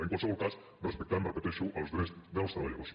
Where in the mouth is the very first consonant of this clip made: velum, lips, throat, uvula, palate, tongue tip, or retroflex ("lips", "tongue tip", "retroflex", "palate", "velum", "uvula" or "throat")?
velum